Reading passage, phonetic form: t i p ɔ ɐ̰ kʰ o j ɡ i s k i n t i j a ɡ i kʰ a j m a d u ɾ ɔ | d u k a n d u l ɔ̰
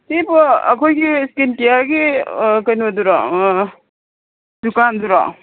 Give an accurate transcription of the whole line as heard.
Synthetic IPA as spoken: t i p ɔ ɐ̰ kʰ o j ɡ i s k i n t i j a ɡ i k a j n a d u ɾ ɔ | d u k a n d u ɾ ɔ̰